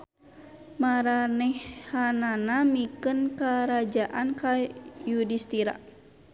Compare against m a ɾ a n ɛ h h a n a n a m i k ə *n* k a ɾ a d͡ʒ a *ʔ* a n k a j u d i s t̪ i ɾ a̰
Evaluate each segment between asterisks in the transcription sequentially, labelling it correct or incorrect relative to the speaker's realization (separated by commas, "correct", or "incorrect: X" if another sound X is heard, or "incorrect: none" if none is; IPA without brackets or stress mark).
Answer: correct, correct